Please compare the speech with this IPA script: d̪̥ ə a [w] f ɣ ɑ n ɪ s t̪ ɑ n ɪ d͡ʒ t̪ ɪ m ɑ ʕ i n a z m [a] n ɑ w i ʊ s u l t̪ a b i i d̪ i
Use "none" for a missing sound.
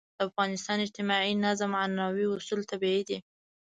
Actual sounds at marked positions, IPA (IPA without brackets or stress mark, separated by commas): none, a